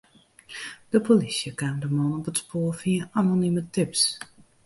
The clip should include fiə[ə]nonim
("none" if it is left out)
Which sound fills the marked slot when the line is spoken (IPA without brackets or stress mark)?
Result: a